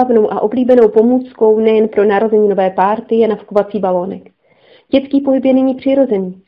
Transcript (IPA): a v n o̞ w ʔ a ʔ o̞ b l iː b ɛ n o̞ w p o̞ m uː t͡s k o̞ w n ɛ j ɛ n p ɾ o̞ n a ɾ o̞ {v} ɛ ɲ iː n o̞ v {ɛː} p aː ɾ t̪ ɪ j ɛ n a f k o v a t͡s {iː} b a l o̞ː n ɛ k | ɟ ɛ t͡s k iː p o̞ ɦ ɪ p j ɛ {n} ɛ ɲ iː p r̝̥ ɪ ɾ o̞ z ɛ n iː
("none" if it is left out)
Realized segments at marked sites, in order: z, ɛː, iː, n

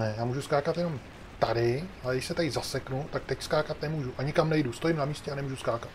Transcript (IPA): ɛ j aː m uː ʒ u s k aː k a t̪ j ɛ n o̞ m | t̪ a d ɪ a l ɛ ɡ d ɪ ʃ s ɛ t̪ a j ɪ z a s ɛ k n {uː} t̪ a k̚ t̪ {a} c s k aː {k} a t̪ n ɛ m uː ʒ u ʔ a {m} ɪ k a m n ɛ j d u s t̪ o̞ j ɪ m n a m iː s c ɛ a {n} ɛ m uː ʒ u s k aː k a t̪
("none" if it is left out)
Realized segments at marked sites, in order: u, ɛ, k, ɲ, n

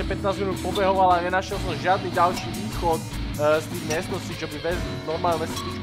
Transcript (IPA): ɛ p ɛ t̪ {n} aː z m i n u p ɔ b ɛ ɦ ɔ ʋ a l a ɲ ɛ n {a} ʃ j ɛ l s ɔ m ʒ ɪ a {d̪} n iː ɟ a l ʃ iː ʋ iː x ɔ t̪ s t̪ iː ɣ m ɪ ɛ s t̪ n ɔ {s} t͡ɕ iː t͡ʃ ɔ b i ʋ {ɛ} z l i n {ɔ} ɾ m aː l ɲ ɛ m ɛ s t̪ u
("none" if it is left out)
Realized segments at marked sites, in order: n, a, d̪, s, ɛ, ɔ

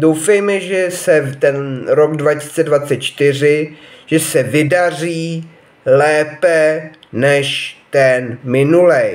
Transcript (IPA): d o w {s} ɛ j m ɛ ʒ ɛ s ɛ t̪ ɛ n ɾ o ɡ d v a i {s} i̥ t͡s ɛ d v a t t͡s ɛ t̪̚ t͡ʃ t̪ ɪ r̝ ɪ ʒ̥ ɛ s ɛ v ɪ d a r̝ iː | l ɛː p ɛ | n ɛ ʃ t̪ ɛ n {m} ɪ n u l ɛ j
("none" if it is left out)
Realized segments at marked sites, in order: f, s, m

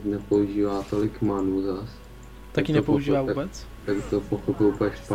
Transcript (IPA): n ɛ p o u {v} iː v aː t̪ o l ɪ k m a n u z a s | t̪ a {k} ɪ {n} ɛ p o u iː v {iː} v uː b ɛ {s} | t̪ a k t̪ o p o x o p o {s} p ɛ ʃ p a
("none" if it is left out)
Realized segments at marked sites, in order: ʒ, k, n, aː, t͡s, none

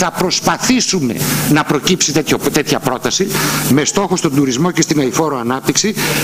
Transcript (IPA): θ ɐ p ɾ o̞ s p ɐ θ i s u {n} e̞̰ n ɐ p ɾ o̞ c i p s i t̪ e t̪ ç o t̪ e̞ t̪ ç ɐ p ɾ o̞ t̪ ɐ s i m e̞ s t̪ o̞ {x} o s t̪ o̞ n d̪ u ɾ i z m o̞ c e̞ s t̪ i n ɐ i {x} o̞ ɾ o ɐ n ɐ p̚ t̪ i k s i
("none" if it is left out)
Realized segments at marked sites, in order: m, x, f

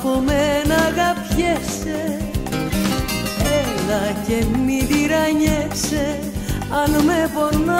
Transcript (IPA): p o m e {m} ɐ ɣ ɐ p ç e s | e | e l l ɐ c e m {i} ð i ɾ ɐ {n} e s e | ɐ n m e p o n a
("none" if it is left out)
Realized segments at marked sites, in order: n, i, ɲ

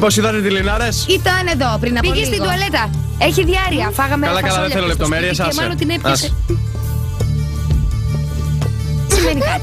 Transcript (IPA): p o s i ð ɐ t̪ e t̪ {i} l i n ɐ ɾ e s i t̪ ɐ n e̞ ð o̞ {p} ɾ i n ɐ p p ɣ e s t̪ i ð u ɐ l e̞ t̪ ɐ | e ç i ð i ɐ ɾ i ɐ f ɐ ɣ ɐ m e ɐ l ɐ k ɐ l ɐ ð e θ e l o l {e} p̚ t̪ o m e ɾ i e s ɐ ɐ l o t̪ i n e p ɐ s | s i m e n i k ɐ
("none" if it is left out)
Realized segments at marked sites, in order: i, p, e

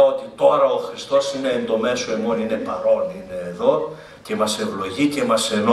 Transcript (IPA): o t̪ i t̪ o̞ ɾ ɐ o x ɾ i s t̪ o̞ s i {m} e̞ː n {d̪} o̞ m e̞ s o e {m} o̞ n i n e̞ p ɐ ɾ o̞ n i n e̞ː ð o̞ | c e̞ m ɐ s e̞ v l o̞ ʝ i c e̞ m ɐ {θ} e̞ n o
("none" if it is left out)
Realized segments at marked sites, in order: n, d̪, m, s

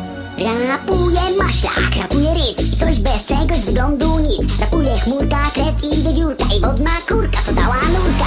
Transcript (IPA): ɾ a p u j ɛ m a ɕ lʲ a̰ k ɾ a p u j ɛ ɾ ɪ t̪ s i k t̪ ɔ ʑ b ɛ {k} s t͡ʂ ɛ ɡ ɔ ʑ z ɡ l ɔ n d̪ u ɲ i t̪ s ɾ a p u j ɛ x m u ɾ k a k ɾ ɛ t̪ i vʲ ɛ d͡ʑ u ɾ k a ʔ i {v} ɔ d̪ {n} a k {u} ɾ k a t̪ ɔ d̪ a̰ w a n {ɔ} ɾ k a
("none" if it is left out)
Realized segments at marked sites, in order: none, v, n, u, u

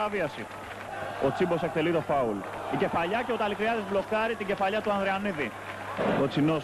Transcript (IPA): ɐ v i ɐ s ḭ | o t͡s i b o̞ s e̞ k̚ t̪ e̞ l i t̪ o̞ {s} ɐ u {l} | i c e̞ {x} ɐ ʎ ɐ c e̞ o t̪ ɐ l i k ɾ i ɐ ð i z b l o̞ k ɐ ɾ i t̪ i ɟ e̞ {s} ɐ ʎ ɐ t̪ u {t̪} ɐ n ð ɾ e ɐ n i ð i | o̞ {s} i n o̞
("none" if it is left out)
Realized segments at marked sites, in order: f, l, f, f, none, t͡s

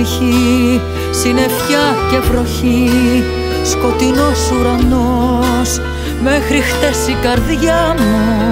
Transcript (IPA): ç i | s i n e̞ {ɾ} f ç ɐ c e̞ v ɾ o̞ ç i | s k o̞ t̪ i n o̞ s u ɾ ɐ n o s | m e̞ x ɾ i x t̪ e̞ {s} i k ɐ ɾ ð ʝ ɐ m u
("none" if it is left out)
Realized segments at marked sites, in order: none, s

